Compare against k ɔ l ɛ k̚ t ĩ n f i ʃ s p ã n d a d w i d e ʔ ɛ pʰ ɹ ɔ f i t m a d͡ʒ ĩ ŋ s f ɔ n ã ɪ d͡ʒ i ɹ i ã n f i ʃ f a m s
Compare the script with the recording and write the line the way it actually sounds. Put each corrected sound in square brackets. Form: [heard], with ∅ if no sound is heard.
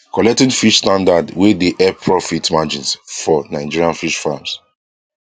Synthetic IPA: k ɔ l ɛ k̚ t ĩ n f i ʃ s [t] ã n d a d w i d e ʔ ɛ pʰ ɹ ɔ f i t m a d͡ʒ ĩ [n] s f ɔ n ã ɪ d͡ʒ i ɹ i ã n f i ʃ f a m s